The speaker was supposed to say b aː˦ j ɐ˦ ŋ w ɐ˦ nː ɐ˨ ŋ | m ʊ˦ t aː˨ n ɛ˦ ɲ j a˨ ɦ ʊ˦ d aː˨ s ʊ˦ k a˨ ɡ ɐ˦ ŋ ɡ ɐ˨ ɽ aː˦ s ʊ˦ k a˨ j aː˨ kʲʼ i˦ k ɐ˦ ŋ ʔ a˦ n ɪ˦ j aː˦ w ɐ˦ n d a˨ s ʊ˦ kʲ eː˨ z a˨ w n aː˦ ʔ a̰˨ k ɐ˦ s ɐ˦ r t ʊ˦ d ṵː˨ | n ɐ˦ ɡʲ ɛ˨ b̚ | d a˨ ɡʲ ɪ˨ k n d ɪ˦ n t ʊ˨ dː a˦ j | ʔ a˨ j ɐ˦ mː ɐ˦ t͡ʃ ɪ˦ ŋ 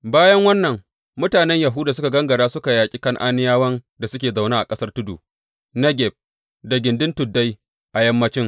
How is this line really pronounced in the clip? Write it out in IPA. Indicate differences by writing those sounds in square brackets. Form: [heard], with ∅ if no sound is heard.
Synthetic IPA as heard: b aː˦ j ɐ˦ ŋ w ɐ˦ nː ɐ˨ ŋ | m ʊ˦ t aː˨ n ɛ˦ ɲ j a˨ ɦ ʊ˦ d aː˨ s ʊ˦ k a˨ ɡ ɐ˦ ŋ ɡ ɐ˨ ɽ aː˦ s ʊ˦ k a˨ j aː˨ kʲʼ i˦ k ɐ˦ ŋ ʔ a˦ n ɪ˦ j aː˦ w ɐ˦ n d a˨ s ʊ˦ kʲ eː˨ z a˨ w n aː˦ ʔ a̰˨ [kʼ] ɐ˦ s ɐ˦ r t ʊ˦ d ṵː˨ | n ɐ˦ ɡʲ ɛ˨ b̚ | d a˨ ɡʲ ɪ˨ [∅] n d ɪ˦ n t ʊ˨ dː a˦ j | ʔ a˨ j ɐ˦ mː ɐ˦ t͡ʃ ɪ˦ ŋ